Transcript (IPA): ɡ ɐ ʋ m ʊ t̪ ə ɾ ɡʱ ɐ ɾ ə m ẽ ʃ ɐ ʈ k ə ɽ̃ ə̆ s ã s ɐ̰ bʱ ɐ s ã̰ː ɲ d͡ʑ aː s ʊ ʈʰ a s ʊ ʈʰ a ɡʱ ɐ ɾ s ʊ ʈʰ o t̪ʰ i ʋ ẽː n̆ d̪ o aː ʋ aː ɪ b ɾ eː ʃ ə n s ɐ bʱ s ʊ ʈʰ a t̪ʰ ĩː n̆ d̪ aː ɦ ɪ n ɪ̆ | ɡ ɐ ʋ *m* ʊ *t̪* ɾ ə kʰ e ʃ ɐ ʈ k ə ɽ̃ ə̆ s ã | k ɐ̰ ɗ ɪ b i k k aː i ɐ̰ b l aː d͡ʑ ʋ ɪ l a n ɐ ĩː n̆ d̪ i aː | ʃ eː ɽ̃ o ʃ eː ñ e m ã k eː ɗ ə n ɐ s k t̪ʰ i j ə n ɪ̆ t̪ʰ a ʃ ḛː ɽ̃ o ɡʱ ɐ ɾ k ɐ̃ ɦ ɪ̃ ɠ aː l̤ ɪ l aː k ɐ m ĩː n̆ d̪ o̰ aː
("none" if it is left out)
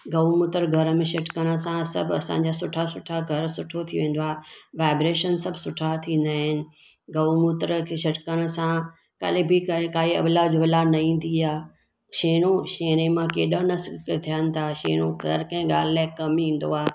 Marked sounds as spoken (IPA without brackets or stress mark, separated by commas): m, t̪